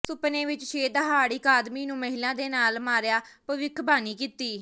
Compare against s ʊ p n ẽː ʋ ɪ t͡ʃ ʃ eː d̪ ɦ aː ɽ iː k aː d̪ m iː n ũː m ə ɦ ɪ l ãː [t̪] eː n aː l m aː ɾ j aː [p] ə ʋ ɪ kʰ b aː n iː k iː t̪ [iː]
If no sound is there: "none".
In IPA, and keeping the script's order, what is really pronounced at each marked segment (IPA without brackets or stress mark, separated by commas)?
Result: d̪, p, iː